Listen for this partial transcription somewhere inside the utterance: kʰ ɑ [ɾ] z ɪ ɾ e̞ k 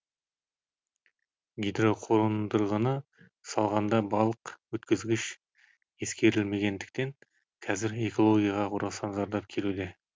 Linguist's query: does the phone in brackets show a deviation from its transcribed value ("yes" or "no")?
yes